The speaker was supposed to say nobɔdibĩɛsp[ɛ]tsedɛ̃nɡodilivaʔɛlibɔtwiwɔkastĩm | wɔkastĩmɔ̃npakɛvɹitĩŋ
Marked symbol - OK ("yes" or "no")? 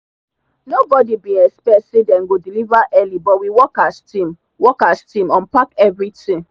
yes